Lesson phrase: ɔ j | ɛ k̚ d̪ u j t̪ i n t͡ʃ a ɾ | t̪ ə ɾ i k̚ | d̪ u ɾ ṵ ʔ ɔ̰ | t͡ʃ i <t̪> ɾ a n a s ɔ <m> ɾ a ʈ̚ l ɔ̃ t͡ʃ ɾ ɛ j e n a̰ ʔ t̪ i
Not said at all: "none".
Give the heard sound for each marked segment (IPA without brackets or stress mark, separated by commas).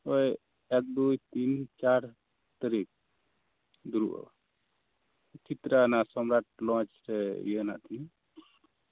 t̪, m